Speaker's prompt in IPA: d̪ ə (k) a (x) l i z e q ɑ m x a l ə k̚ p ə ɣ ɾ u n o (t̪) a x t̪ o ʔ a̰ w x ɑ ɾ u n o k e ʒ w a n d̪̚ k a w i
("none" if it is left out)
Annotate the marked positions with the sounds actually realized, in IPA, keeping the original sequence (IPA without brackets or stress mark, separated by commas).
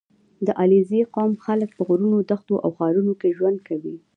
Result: ʔ, none, d̪